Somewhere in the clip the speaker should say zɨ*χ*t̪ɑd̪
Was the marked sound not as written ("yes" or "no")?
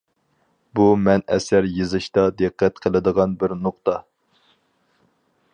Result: yes